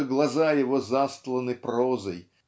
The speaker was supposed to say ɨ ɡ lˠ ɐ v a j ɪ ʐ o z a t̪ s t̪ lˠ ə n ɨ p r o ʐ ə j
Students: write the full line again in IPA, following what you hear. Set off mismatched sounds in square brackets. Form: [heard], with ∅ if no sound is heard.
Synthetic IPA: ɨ ɡ lˠ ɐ [z] a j ɪ [v] o z a [∅] s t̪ lˠ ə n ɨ p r o [z] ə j